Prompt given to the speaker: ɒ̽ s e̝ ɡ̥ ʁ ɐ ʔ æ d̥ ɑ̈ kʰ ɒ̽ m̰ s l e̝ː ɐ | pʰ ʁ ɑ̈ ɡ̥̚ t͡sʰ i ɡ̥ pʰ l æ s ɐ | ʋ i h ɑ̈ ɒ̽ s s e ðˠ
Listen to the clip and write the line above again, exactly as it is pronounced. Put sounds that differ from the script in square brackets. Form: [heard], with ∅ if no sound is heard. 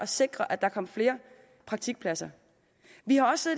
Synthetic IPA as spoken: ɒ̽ s e̝ ɡ̥ ʁ ɐ ʔ æ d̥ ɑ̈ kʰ ɒ̽ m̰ [f] l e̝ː ɐ | pʰ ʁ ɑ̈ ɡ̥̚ t͡sʰ i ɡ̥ pʰ l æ s ɐ | ʋ i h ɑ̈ ɒ̽ s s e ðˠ